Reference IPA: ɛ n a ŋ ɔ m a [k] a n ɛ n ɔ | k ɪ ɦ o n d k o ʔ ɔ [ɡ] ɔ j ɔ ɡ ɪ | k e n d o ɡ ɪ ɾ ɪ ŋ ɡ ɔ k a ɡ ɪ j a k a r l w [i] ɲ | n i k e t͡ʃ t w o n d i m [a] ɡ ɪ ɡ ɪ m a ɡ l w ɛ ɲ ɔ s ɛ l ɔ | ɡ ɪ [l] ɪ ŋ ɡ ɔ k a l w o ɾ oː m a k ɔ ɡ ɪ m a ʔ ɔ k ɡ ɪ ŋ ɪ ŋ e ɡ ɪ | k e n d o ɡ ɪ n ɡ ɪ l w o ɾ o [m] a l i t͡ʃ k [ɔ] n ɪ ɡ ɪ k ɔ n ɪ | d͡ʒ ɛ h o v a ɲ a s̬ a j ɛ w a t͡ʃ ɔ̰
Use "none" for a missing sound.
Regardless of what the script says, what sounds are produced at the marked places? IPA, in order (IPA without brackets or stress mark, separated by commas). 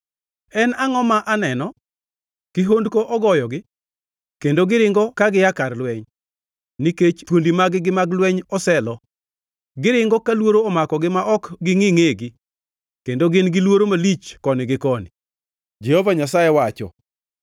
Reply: ʔ, ɡ, ɛ, a, ɾ, m, ɔ